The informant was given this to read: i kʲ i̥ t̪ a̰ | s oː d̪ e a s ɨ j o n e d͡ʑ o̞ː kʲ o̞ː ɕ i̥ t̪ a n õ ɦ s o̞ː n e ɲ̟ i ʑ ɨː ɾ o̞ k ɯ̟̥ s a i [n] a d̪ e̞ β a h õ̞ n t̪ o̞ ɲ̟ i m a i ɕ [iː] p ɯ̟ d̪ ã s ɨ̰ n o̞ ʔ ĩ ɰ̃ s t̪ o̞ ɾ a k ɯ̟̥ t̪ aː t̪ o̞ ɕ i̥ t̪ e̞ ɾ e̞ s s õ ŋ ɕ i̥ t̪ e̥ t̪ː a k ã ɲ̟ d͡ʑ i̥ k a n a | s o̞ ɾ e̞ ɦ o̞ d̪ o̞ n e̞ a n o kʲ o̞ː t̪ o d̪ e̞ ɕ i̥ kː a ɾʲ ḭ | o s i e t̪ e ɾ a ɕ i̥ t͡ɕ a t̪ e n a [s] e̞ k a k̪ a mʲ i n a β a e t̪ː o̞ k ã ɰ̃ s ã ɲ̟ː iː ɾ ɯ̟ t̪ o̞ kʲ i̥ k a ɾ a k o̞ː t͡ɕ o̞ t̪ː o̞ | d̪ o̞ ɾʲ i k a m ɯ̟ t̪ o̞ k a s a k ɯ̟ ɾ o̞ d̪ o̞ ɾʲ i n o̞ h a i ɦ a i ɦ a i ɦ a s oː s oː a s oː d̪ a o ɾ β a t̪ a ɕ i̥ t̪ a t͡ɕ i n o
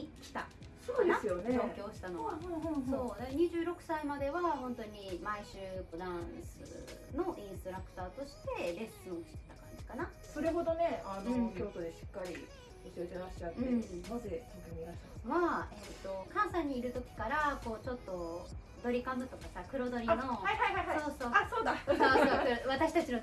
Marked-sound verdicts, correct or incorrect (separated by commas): incorrect, incorrect, incorrect